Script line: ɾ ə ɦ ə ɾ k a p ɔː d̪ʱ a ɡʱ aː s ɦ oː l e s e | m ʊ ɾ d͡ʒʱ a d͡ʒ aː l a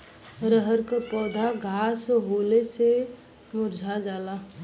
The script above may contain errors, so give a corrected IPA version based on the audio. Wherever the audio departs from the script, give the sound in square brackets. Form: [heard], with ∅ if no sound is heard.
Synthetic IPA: ɾ ə ɦ ə ɾ k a p ɔː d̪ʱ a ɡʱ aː s ɦ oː l e s e | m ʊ ɾ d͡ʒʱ a d͡ʒ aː l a